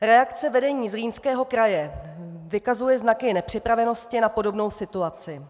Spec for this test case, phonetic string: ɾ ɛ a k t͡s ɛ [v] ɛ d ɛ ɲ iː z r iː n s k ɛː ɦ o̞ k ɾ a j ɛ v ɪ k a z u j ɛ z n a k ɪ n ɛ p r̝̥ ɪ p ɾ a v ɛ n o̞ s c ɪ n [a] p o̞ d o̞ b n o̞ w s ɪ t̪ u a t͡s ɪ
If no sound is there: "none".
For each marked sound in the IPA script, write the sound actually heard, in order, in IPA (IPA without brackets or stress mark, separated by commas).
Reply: v, a